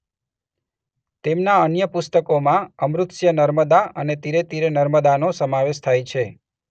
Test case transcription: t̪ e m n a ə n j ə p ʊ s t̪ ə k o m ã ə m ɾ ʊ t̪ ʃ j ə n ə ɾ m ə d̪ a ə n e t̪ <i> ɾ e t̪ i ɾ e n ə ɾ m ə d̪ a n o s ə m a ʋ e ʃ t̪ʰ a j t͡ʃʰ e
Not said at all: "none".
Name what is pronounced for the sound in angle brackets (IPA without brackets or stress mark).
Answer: i